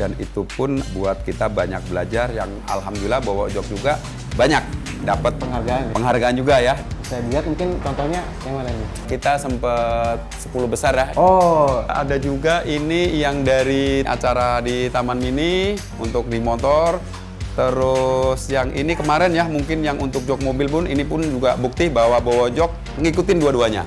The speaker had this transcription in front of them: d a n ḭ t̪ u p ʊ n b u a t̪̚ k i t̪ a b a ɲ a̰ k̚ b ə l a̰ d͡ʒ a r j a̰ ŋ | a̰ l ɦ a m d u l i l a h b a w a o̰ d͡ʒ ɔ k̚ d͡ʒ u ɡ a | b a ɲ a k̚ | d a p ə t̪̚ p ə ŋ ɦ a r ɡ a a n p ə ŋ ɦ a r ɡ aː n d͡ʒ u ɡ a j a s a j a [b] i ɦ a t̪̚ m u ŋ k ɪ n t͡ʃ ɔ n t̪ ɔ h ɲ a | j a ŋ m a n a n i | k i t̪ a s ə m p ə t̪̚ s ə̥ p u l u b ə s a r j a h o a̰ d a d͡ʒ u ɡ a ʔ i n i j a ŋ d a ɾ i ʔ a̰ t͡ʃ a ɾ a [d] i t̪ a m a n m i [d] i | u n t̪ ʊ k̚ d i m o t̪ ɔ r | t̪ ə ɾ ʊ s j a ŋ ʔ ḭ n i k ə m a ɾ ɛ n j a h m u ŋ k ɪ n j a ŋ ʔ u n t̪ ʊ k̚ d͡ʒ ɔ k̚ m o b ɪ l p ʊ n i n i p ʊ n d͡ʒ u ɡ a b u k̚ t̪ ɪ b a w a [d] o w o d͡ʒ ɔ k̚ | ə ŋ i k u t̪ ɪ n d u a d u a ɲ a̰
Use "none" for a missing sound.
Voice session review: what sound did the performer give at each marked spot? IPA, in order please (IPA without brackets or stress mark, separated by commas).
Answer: b, d, n, b